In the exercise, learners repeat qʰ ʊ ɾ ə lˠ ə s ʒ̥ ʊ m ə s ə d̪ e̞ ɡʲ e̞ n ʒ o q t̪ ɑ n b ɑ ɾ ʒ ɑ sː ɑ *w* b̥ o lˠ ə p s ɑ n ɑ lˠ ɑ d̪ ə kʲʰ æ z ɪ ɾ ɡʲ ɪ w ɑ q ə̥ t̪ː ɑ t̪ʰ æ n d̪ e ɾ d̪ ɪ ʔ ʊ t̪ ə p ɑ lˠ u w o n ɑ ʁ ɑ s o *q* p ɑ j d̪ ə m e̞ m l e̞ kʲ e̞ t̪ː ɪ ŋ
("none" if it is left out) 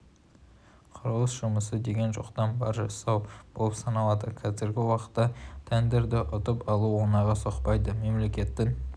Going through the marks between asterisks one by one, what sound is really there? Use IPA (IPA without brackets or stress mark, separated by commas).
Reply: w, q